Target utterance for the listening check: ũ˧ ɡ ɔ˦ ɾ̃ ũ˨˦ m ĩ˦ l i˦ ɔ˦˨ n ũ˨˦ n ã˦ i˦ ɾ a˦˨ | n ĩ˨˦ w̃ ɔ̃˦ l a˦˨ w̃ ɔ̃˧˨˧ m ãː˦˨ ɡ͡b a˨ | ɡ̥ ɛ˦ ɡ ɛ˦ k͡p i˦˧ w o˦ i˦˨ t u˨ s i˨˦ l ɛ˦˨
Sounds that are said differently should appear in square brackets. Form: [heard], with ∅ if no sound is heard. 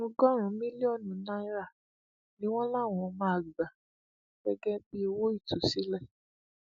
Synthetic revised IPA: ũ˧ ɡ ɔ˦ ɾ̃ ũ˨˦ m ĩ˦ l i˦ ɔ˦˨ n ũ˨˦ n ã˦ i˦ ɾ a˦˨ | n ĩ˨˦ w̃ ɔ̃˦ l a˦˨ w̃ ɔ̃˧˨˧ m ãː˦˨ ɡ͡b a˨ | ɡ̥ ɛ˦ ɡ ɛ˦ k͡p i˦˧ w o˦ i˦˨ t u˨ s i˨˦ l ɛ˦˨

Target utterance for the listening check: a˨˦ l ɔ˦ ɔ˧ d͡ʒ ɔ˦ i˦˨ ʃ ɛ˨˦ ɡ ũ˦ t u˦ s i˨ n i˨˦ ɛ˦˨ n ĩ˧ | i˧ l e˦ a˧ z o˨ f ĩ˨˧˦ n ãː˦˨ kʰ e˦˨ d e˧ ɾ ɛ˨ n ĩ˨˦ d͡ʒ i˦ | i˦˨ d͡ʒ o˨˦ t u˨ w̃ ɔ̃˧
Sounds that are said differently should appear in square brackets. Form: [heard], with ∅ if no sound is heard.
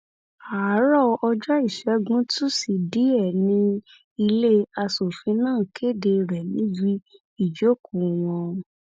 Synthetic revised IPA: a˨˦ [ɾ] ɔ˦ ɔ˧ d͡ʒ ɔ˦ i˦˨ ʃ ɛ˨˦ ɡ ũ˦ t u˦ s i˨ [d] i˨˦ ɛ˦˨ n ĩ˧ | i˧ l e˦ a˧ [s] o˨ f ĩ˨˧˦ n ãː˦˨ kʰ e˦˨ d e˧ ɾ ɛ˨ n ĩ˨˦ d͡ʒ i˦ | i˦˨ d͡ʒ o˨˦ [k] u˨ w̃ ɔ̃˧

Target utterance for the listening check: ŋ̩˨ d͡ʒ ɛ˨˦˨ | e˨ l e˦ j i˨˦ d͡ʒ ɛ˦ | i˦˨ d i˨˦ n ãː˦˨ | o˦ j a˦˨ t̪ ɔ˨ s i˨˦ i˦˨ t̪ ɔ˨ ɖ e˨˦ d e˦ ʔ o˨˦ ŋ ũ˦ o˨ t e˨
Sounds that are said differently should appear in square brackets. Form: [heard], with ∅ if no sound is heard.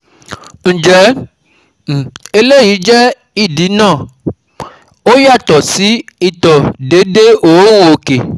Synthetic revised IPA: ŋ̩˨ d͡ʒ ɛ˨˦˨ | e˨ l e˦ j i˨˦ d͡ʒ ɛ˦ | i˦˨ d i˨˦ n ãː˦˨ | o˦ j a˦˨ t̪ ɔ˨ s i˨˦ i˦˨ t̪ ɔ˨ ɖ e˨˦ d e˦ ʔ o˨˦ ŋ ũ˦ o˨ [k] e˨

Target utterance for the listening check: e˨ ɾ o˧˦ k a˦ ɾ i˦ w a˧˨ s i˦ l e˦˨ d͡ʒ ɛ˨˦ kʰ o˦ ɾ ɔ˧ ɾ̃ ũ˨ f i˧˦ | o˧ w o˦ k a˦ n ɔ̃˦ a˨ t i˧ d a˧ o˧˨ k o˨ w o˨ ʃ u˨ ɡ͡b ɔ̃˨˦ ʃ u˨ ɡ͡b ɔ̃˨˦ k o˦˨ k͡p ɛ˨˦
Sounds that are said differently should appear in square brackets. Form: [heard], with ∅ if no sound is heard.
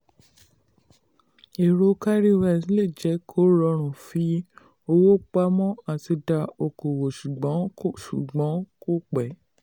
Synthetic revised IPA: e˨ ɾ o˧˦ k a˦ ɾ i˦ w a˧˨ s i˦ l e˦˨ d͡ʒ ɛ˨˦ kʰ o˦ ɾ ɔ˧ ɾ̃ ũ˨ f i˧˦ | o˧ w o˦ [k͡p] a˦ [m] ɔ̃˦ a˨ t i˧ d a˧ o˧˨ k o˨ w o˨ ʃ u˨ ɡ͡b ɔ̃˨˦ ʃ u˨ ɡ͡b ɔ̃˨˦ k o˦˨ k͡p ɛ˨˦

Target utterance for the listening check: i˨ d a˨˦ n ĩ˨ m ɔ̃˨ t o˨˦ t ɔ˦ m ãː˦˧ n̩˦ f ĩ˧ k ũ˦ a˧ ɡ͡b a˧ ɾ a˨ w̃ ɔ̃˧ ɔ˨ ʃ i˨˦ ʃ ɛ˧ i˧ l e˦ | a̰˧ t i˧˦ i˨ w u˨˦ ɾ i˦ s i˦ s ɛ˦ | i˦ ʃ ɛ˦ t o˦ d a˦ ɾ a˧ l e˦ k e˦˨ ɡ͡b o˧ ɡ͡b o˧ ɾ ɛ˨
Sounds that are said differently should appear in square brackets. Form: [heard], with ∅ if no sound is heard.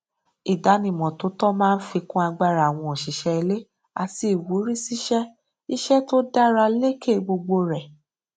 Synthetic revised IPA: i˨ d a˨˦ n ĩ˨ m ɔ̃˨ t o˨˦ t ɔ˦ m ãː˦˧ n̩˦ f [i˧] k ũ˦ a˧ ɡ͡b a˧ ɾ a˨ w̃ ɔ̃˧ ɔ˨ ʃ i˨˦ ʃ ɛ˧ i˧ l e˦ | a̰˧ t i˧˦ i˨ w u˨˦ ɾ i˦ s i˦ [ʃ] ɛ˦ | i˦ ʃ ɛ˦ t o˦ d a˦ ɾ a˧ l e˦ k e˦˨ ɡ͡b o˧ ɡ͡b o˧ ɾ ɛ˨

